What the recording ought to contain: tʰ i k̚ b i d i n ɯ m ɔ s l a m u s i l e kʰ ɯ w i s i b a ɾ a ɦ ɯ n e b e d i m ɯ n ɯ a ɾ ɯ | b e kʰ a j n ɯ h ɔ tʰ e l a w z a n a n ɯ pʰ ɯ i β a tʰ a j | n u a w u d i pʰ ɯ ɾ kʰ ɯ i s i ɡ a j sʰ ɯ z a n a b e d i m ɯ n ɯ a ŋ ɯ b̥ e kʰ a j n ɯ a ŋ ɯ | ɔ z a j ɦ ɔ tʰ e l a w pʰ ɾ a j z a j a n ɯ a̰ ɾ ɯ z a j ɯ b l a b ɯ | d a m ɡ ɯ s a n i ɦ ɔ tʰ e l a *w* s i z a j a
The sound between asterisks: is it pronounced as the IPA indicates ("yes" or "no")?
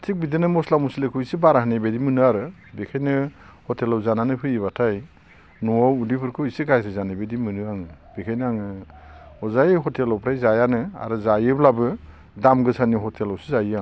yes